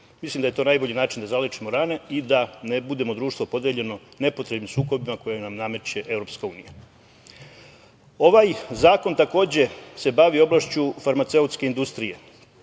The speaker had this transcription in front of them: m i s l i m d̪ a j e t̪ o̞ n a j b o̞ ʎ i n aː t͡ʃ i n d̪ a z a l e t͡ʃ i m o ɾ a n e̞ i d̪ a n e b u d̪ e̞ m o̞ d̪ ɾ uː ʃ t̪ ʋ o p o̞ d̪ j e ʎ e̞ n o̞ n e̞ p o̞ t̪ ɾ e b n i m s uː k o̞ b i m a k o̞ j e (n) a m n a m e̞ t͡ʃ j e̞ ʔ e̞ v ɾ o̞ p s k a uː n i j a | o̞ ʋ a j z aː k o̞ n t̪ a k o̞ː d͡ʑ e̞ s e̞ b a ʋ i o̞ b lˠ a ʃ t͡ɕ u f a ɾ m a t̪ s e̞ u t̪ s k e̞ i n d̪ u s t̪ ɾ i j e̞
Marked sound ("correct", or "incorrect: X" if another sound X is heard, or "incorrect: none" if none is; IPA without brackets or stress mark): correct